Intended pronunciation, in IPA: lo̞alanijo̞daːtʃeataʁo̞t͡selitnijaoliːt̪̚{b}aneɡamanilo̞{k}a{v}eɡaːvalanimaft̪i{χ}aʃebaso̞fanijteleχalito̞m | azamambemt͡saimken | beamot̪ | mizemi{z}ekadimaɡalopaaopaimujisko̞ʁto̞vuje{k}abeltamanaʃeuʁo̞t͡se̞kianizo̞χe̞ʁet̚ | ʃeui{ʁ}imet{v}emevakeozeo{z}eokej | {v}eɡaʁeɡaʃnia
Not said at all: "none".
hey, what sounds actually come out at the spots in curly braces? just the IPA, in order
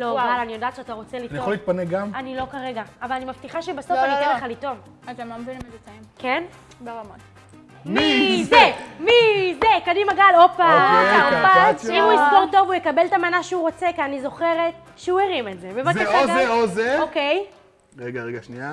p, k, ʁ, χ, z, k, ʁ, z, z, ʁ

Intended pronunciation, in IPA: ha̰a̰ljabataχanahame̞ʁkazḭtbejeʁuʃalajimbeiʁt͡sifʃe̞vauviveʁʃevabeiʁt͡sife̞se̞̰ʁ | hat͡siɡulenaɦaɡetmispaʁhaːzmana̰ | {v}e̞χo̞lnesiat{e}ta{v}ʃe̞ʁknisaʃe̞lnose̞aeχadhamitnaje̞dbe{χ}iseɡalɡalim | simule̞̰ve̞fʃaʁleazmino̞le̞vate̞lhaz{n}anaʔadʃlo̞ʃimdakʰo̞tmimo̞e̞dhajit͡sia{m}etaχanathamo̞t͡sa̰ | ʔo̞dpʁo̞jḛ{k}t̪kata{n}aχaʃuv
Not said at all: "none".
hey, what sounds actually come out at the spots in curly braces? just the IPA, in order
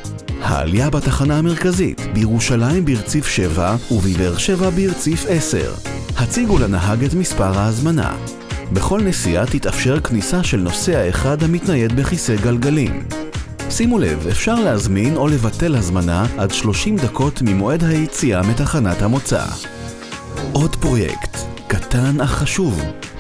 b, i, f, χ, m, m, k, n

